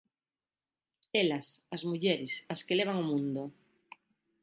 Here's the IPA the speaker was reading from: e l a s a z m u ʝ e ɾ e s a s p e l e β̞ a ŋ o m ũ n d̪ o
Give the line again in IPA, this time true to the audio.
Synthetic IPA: e l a s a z m u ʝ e ɾ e s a s k e l e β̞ a ŋ o m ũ n d̪ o